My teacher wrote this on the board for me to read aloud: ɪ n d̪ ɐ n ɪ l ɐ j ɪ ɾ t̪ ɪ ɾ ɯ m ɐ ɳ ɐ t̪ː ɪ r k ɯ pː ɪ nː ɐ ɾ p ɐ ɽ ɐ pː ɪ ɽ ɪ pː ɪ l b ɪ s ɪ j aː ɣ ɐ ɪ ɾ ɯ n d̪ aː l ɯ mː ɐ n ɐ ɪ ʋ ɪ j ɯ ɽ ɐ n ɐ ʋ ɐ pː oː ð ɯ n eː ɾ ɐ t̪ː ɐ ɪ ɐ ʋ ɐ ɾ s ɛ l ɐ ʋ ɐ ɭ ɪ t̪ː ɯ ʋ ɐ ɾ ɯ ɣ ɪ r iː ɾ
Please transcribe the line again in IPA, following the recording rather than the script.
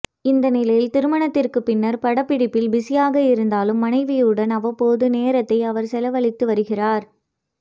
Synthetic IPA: ɪ n d̪ ɐ n ɪ l ɐ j ɪ l t̪ ɪ ɾ ɯ m ɐ ɳ ɐ t̪ː ɪ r k ɯ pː ɪ nː ɐ ɾ p ɐ ɽ ɐ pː ɪ ɽ ɪ pː ɪ l b ɪ s ɪ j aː ɣ ɐ ɪ ɾ ɯ n d̪ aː l ɯ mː ɐ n ɐ ɪ ʋ ɪ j ɯ ɽ ɐ n ɐ ʋ ɐ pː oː ð ɯ n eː ɾ ɐ t̪ː ɐ ɪ ɐ ʋ ɐ ɾ s ɛ l ɐ ʋ ɐ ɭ ɪ t̪ː ɯ ʋ ɐ ɾ ɯ ɣ ɪ r aː ɾ